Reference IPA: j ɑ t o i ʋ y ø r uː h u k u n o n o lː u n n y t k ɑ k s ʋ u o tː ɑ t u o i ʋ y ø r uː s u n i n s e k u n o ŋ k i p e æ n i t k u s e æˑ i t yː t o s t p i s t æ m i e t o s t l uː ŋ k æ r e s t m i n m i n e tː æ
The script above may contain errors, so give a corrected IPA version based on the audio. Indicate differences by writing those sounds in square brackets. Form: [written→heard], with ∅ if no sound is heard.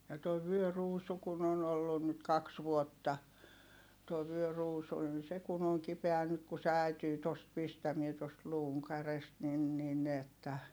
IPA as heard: j ɑ t o i ʋ y ø r uː [h→s] u k u n o n o lː u n n y t k ɑ k s ʋ u o tː ɑ t u o i ʋ y ø r uː s u n i n s e k u n o ŋ k i p e æ n [i→y] t k u s e æˑ i t yː t o s t p i s t æ m i e t o s t l uː ŋ k æ r e s t [m→n] i n [m→n] i n e tː æ